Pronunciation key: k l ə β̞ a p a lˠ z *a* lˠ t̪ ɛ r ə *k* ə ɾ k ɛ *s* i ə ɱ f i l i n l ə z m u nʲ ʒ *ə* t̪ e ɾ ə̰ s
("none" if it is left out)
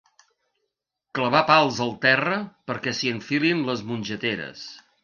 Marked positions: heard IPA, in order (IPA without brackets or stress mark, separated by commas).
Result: ə, p, s, ə